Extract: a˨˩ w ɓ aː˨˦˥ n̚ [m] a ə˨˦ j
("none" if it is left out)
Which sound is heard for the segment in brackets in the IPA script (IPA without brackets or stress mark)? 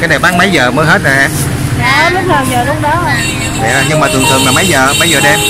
m